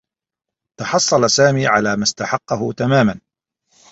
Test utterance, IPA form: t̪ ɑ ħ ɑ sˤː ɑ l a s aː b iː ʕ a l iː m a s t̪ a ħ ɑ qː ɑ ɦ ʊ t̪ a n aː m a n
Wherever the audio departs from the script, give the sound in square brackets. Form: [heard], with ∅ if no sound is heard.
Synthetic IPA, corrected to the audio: t̪ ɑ ħ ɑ sˤː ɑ l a s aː [m] iː ʕ a l [aː] m a s t̪ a ħ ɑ qː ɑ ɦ ʊ t̪ a [m] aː m a n